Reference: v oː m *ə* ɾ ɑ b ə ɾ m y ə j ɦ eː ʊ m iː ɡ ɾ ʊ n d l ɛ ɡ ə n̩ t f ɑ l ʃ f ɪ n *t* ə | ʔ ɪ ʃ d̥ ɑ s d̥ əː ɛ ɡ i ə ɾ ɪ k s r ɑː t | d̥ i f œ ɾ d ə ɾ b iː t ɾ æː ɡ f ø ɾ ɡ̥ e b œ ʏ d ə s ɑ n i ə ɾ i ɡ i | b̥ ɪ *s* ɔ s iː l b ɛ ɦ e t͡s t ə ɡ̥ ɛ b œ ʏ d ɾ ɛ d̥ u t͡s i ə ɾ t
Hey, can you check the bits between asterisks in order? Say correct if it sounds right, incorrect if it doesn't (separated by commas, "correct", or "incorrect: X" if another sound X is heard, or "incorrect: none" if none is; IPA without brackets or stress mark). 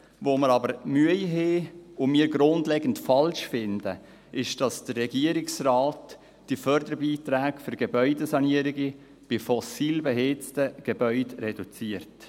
correct, incorrect: d, incorrect: f